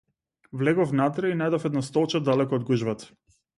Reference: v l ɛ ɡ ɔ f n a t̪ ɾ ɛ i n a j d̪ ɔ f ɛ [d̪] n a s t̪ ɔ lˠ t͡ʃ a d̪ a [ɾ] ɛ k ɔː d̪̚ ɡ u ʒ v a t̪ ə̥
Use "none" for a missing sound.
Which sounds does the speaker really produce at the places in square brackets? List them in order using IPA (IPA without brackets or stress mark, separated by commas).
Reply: d̪, l